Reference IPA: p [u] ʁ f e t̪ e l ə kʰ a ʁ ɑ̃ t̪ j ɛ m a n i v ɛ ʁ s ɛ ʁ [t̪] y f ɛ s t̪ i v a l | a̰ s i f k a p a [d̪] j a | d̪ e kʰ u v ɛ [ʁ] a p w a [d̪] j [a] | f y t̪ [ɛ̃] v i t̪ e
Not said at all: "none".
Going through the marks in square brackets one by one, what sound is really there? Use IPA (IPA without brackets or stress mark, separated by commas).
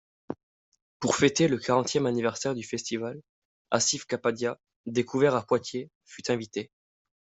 u, d̪, d̪, ʁ, t̪, e, ɛ̃